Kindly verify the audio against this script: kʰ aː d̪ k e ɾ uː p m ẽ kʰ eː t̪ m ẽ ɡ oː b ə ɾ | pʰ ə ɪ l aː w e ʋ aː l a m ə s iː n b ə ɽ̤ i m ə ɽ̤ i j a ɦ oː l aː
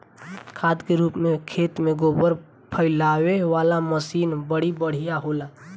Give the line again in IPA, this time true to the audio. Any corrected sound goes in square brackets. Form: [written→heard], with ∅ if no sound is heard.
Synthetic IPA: kʰ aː d̪ k e ɾ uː p m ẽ kʰ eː t̪ m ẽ ɡ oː b ə ɾ | pʰ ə ɪ l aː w e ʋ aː l a m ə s iː n b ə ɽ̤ i [m→b] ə ɽ̤ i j a ɦ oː l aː